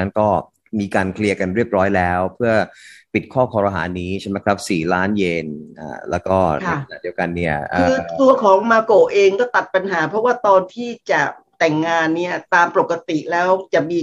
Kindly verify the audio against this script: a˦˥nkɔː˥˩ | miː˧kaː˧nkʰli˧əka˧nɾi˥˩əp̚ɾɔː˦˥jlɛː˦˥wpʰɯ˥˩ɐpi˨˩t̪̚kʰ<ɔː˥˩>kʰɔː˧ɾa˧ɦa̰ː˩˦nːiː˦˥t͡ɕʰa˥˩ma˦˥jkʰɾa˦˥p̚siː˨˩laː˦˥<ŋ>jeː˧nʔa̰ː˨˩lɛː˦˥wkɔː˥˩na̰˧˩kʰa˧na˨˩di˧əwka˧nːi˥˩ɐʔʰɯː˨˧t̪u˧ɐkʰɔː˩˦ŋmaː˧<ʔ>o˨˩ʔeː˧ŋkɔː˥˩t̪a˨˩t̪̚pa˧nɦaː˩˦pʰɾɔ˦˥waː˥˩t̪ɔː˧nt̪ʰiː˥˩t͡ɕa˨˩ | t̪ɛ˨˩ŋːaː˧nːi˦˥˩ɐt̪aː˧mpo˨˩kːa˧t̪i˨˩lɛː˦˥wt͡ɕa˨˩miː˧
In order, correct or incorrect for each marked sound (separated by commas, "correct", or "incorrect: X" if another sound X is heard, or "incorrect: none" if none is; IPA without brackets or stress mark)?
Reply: correct, incorrect: n, incorrect: k